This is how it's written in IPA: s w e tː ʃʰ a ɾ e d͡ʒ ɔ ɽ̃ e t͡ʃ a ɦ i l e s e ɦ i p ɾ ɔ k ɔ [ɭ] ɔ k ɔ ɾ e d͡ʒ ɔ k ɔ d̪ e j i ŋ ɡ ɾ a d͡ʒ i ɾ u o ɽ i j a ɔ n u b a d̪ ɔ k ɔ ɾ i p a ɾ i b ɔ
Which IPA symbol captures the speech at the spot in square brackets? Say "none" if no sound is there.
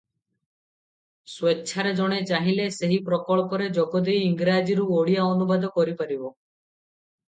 ɭ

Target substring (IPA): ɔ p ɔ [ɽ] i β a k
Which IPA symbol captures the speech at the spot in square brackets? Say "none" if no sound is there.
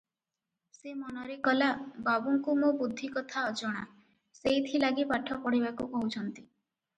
ɽ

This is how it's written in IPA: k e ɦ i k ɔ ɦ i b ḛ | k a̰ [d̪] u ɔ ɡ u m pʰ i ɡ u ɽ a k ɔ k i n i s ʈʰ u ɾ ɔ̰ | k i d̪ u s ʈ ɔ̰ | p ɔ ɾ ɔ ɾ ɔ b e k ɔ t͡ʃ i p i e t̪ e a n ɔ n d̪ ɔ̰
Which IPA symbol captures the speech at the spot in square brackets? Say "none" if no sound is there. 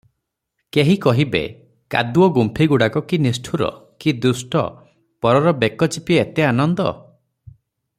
d̪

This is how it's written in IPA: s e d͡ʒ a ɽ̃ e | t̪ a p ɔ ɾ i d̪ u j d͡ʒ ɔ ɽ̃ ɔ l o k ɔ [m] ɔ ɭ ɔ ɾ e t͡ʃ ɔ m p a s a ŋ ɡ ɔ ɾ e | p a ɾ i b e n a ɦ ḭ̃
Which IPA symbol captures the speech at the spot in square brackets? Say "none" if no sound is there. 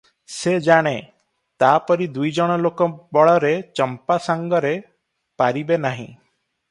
b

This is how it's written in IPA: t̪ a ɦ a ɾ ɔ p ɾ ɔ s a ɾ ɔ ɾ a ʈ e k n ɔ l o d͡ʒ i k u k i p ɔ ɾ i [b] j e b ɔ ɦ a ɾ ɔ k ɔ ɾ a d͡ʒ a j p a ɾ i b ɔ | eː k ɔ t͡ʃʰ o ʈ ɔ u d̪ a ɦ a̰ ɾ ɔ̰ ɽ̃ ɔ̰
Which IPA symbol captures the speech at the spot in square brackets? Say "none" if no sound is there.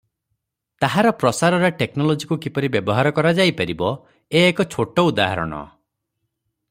b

